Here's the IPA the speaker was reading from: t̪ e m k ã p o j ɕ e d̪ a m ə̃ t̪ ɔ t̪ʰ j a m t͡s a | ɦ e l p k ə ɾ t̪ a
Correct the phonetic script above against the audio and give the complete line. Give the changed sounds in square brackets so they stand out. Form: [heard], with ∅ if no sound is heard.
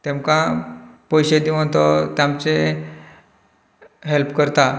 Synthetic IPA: t̪ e m k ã p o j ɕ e d̪ [i] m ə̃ t̪ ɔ [t̪] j a m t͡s [e] | ɦ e l p k ə ɾ t̪ a